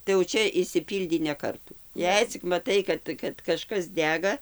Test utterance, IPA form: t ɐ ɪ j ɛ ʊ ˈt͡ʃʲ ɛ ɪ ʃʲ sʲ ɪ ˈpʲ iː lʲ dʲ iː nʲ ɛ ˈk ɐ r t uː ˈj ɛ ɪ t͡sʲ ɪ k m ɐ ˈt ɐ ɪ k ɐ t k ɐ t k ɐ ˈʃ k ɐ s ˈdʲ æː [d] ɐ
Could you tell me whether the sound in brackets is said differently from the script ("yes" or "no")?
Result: yes